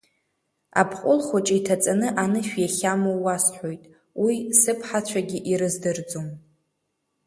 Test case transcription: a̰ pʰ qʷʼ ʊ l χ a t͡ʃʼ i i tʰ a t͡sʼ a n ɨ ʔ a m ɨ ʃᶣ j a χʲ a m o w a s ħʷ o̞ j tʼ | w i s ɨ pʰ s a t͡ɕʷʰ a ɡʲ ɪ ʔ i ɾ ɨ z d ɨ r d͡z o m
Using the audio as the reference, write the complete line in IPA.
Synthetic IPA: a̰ pʰ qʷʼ ʊ l χ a t͡ʃʼ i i tʰ a t͡sʼ a n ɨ ʔ a n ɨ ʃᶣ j a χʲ a m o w a s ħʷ o̞ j tʼ | w i s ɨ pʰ ħ a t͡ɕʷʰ a ɡʲ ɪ ʔ i ɾ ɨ z d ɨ r d͡z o m